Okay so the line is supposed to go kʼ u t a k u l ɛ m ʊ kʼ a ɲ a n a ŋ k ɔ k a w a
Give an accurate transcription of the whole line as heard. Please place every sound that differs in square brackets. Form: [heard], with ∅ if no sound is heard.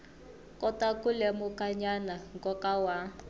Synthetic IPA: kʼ [ɔ] t a k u l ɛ m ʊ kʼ a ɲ a n a ŋ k ɔ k a w a